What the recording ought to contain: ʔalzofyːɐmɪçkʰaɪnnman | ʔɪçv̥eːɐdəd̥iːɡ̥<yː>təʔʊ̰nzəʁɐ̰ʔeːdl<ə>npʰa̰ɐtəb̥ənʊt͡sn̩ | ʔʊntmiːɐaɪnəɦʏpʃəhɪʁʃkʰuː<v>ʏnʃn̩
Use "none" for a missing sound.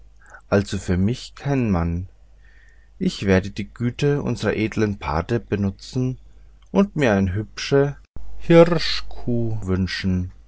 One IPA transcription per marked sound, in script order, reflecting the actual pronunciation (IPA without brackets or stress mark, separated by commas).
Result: yː, ə, v